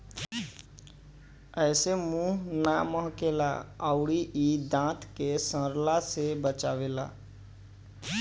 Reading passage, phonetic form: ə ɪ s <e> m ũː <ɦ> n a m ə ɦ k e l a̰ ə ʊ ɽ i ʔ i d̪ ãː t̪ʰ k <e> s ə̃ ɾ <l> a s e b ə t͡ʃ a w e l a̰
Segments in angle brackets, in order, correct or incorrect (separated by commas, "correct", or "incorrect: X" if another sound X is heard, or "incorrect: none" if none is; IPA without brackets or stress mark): correct, correct, correct, correct